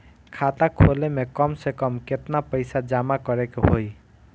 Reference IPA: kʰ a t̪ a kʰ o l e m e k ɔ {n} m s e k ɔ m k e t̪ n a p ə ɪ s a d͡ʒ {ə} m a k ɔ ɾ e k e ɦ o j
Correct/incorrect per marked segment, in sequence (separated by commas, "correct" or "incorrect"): incorrect, incorrect